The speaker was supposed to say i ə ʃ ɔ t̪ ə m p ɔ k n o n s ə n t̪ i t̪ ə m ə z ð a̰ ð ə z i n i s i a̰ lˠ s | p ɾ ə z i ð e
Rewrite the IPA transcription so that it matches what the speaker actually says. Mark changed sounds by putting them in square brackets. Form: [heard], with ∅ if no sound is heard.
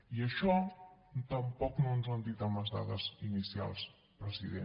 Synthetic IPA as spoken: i ə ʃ ɔ t̪ ə m p ɔ k n o n [z] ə n [d̪] i t̪ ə m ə z ð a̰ ð ə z i n i s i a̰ lˠ s | p ɾ ə z i ð e